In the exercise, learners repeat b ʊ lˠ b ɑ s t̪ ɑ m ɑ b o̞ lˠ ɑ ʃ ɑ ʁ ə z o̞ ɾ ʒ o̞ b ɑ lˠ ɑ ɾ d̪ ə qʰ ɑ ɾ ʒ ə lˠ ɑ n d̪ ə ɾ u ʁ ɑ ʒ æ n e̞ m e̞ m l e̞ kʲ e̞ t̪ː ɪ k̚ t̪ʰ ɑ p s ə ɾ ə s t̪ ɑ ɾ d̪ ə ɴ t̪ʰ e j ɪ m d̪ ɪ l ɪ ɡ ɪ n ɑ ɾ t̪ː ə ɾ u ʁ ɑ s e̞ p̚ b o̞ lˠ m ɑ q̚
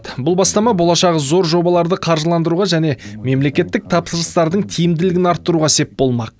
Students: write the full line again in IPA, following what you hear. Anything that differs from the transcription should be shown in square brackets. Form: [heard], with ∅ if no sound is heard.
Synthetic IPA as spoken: b ʊ lˠ b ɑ s t̪ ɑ m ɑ b o̞ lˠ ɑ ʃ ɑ ʁ ə z o̞ ɾ ʒ o̞ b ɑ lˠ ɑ ɾ d̪ ə qʰ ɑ ɾ ʒ ə lˠ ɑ n d̪ ə ɾ u ʁ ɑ ʒ æ n e̞ m e̞ m l e̞ kʲ e̞ t̪ː ɪ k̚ t̪ʰ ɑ p s ə ɾ ə s t̪ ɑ ɾ d̪ ə ɴ t̪ʰ [i] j ɪ m d̪ ɪ l ɪ ɡ ɪ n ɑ ɾ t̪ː ə ɾ u ʁ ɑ s e̞ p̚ b o̞ lˠ m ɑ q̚